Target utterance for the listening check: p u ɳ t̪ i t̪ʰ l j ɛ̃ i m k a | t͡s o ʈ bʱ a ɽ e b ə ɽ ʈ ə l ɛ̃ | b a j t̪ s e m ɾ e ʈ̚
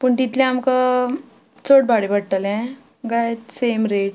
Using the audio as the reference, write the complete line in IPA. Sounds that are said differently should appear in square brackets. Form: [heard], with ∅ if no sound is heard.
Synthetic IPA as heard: p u ɳ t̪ i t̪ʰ l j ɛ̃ [a] m k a | t͡s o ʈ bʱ a ɽ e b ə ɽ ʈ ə l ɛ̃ | [ɡ] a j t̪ s e m ɾ e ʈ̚

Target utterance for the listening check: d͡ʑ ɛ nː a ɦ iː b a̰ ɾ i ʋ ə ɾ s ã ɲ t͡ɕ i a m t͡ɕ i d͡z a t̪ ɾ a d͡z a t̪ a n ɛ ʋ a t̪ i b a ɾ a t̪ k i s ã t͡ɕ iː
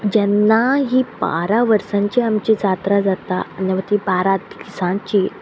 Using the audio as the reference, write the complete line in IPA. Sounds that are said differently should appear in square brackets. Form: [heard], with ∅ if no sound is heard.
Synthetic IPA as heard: d͡ʑ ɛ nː a ɦ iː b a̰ ɾ [a] ʋ ə ɾ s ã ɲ t͡ɕ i a m t͡ɕ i d͡z a t̪ ɾ a d͡z a t̪ a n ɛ ʋ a t̪ i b a ɾ a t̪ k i s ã t͡ɕ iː

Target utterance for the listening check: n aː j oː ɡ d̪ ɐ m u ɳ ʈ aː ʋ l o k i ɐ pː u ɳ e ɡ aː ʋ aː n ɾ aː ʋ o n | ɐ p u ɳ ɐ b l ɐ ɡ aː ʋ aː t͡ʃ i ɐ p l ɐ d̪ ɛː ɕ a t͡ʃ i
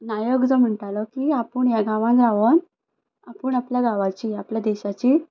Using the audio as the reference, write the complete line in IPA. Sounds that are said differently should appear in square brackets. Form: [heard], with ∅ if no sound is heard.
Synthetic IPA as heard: n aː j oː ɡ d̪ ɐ m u ɳ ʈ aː [∅] l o k i ɐ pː u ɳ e ɡ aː ʋ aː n ɾ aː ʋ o n | ɐ p u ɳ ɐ [p] l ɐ ɡ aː ʋ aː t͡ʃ i ɐ p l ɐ d̪ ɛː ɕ a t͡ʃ i

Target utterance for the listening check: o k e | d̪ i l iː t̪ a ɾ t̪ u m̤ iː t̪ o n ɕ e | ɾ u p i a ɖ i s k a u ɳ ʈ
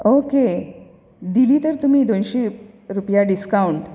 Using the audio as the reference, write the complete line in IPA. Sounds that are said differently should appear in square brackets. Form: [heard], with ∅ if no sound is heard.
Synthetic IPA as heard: o k e | d̪ i l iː t̪ [ə] ɾ t̪ u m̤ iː [d̪] o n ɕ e | ɾ u p [j] a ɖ i s k a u ɳ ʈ

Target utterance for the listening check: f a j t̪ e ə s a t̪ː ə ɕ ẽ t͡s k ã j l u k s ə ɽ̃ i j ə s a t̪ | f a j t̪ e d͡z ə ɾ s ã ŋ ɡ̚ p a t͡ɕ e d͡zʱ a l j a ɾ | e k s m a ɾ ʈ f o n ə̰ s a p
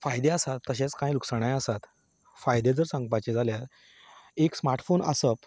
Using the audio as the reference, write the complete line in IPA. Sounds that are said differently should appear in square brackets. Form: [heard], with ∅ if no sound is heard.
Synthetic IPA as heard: f a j [d̪] e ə s a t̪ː ə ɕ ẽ t͡s k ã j l u k s ə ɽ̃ [a] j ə s a t̪ | f a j [d̪] e d͡z ə ɾ s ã ŋ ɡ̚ p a t͡ɕ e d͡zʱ a l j a ɾ | e k s m a ɾ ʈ f o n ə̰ s [ə] p

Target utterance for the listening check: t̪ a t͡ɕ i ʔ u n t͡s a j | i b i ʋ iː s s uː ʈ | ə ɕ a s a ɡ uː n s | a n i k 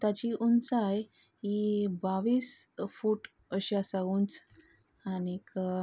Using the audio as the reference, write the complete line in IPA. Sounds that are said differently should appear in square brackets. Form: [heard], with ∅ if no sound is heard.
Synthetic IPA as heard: t̪ a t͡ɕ i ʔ u n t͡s a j | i b [a] ʋ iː s [f] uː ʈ | ə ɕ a s a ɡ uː n [t͡s] | a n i k

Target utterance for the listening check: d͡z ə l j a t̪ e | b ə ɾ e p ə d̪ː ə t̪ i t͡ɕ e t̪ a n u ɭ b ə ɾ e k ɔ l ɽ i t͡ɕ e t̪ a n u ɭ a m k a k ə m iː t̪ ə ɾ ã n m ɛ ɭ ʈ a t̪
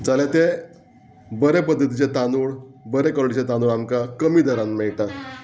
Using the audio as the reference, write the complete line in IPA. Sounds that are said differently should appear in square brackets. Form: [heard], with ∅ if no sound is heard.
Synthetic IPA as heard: d͡z [a] l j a t̪ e | b ə ɾ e p ə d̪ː ə t̪ i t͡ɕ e t̪ a n u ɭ b ə ɾ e k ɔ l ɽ i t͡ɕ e t̪ a n u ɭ a m k a k ə m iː [d̪] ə ɾ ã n m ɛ ɭ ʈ a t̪

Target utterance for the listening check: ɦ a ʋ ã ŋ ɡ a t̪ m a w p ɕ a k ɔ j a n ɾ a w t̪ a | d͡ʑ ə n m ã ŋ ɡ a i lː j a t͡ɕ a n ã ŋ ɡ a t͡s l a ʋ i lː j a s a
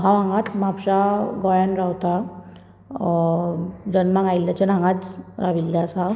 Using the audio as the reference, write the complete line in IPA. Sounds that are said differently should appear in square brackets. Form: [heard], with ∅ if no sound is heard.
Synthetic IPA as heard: ɦ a ʋ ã ŋ ɡ a t̪ m a [∅] p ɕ a [ɡ] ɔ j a n ɾ a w t̪ a | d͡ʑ ə n m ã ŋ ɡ a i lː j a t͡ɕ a n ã ŋ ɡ a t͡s [ɾ] a ʋ i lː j a s a

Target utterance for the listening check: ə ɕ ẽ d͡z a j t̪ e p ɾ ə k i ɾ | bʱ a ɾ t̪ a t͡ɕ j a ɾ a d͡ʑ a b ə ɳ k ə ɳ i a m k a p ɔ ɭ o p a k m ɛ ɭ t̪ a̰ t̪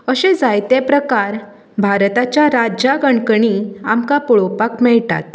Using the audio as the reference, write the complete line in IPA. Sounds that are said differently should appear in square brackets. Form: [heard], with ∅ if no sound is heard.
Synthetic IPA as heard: ə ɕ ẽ d͡z a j t̪ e p ɾ ə k [a] ɾ | bʱ a ɾ t̪ a t͡ɕ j a ɾ a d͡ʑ a [ɡ] ə ɳ k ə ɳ i a m k a p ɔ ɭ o p a k m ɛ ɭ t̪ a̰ t̪

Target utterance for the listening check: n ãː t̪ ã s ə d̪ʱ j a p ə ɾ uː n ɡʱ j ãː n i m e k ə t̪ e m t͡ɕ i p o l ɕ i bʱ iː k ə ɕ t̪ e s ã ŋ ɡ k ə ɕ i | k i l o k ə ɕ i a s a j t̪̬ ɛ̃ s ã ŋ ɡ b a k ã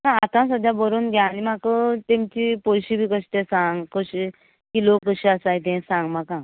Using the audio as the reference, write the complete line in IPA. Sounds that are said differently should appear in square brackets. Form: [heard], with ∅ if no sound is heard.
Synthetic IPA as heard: n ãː t̪ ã s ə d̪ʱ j a [b] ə ɾ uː n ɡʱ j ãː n i m [a] k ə t̪ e m t͡ɕ i p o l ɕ i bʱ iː k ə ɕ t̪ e s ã ŋ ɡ k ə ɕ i | k i l o k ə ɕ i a s a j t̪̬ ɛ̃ s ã ŋ ɡ [m] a k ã

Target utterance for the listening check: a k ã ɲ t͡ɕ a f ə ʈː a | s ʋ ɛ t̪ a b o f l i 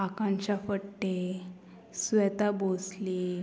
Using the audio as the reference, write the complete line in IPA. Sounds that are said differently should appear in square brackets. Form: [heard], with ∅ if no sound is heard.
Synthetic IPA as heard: a k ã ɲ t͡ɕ a f ə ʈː [e] | s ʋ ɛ t̪ a b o [s] l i

